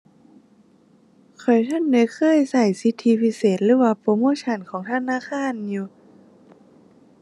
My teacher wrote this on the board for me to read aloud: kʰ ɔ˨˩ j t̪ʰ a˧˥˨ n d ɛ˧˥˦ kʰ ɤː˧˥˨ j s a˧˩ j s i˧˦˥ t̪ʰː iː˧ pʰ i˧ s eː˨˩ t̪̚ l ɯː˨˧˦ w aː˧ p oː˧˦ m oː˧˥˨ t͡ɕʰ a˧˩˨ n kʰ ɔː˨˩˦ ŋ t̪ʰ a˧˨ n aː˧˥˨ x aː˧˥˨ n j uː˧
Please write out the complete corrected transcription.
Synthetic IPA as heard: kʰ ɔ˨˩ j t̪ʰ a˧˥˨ n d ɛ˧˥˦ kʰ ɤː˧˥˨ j s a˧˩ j s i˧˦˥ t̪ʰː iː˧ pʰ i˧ s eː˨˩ t̪̚ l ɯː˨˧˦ w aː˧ p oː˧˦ m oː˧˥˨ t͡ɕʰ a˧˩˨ n kʰ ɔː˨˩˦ ŋ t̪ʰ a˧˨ n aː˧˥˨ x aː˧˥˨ n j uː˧